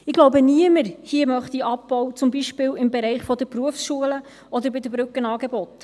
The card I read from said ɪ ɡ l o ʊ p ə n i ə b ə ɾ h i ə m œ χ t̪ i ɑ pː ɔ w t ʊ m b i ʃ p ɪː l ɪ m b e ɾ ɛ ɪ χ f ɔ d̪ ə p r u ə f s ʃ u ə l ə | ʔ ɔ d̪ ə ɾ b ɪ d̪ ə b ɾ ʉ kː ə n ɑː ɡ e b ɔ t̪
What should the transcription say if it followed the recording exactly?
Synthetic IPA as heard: ɪ ɡ l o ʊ b ə n i ə m ə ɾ h i ə m œ χ t̪ i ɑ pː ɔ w t͡s ʊ m b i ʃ p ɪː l ɪ m b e ɾ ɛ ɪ χ f ɔ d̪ ə p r u ə f s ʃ u ə l ə | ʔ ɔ d̪ ə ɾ b ɪ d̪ ə b ɾ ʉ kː ə n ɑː ɡ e b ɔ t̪